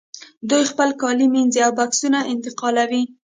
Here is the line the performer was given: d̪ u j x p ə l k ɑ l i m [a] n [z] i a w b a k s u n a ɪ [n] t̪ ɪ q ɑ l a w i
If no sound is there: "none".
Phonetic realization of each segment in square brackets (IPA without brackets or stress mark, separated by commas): i, z, n